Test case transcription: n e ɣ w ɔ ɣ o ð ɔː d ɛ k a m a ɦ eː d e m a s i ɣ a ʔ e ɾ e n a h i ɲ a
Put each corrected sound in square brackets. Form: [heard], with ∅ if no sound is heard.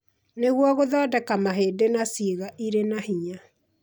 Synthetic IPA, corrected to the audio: n e ɣ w ɔ ɣ o ð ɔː d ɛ k a m a ɦ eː d e [n] a s i ɣ a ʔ [i] ɾ e n a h i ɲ a